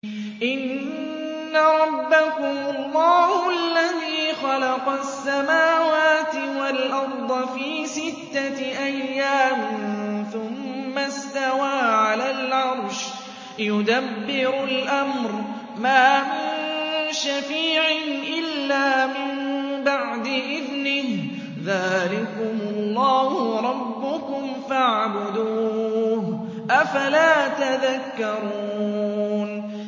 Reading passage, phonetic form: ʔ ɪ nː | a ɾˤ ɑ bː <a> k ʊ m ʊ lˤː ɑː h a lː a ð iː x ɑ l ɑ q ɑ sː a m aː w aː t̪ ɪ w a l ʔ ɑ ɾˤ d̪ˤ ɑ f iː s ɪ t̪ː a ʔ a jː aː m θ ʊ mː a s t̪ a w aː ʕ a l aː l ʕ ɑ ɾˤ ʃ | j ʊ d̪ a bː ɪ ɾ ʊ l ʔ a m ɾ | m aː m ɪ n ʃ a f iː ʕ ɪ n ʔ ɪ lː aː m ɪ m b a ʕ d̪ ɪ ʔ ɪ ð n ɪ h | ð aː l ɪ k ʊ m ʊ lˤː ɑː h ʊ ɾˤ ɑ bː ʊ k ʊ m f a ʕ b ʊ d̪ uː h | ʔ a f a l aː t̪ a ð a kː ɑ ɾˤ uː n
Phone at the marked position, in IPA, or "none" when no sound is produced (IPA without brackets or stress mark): a